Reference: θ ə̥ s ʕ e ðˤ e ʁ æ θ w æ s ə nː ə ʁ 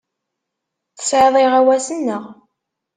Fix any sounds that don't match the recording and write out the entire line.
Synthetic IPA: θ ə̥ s ʕ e ðˤ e ʁ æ w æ s ə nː ə ʁ